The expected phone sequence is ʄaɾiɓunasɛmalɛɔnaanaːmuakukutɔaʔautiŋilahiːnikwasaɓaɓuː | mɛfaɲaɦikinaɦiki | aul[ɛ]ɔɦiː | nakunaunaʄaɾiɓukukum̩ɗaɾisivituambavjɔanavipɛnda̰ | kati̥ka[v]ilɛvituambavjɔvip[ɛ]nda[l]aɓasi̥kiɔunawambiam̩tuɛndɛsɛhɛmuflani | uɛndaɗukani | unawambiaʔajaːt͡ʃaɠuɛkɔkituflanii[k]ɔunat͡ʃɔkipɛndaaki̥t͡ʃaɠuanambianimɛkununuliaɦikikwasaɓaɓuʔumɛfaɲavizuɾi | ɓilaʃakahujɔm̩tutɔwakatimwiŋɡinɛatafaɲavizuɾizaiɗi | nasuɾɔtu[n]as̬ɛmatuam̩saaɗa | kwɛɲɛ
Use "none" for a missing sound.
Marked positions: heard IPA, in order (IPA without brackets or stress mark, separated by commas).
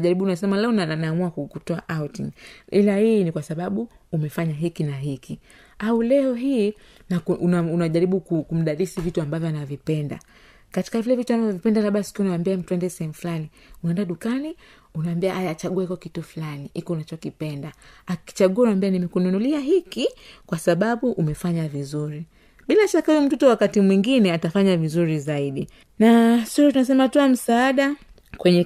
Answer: ɛ, v, ɛ, l, k, n